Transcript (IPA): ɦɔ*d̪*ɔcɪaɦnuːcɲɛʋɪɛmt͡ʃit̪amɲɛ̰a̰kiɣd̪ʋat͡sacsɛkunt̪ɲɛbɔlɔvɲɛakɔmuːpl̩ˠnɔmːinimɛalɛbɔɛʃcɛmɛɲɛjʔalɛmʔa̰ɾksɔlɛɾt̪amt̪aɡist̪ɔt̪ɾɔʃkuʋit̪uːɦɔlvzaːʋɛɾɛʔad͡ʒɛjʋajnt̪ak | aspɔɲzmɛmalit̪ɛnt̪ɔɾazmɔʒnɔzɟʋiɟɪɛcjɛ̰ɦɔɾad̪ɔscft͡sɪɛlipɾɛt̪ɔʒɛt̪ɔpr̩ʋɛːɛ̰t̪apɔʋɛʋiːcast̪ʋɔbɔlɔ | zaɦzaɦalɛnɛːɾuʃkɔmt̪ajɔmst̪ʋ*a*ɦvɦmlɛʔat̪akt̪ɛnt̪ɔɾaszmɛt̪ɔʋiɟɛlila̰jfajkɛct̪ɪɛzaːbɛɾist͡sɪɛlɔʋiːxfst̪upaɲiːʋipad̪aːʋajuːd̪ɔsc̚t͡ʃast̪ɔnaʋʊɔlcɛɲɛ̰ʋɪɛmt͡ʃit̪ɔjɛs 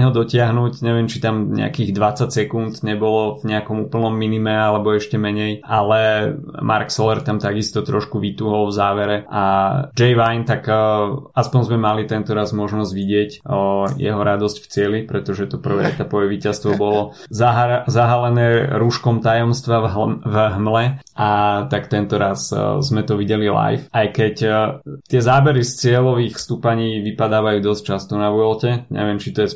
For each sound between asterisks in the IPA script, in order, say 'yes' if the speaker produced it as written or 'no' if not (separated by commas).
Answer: yes, yes